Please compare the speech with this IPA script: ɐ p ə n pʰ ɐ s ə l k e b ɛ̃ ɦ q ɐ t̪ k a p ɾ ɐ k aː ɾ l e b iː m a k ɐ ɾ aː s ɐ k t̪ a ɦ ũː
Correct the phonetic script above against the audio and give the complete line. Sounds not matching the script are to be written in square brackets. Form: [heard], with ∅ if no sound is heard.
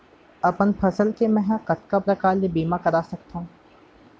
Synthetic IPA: ɐ p ə n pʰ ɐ s ə l k e [m] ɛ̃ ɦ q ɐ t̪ k a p ɾ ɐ k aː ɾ l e b iː m a k ɐ ɾ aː s ɐ k t̪ a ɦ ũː